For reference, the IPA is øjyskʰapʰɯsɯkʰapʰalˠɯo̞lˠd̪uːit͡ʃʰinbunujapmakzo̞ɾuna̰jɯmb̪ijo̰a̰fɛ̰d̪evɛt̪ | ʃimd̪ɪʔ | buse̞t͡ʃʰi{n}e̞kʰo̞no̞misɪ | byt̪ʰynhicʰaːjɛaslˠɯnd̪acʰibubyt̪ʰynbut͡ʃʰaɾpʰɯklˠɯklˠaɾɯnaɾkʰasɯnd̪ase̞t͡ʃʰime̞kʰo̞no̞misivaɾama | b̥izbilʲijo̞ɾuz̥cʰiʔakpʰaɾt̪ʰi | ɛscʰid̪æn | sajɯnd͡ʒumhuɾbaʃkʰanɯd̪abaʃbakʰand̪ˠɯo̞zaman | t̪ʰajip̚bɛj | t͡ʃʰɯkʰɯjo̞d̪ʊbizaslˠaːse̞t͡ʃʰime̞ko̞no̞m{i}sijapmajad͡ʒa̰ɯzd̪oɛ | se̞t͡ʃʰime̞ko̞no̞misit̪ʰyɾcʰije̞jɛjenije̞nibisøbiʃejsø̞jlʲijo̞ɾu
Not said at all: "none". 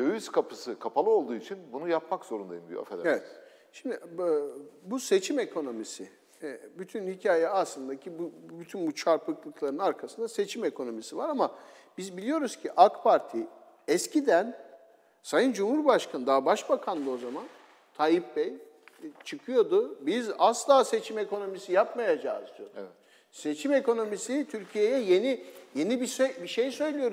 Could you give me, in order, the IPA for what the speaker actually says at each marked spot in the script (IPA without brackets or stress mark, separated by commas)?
m, i